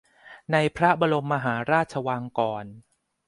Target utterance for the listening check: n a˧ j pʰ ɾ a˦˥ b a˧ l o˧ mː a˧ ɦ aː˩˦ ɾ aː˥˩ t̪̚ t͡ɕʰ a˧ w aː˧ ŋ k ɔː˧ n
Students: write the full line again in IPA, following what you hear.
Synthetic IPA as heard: n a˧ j pʰ ɾ a˦˥ b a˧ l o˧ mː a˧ ɦ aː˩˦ ɾ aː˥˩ t̪̚ t͡ɕʰ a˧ w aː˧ ŋ k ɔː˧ n